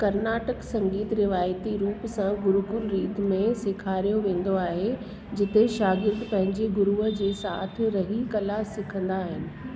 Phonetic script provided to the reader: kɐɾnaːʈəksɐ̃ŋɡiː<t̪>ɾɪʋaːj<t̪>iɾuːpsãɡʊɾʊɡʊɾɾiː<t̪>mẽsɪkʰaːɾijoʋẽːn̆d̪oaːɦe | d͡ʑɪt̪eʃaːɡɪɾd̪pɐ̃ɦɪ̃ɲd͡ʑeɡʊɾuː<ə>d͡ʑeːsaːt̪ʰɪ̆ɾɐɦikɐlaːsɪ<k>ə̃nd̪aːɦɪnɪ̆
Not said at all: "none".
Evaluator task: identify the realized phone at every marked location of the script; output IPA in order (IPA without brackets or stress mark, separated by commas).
t̪, t̪, t̪, ə, kʰ